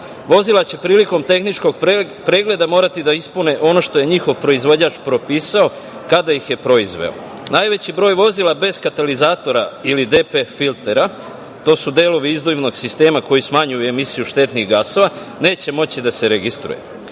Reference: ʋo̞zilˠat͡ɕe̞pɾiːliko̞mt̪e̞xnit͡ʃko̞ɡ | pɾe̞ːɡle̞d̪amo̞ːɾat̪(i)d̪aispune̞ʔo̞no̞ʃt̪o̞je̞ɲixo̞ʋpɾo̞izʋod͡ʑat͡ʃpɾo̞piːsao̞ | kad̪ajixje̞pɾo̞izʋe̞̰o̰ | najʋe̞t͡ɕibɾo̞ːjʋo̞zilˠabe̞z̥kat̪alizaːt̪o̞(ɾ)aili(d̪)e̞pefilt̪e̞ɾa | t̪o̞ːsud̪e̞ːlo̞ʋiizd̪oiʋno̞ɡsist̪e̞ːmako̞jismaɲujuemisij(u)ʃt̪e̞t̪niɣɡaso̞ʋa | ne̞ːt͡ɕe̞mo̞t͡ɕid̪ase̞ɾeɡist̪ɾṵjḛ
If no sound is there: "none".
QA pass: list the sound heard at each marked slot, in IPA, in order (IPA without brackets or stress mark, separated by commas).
i, ɾ, d̪, u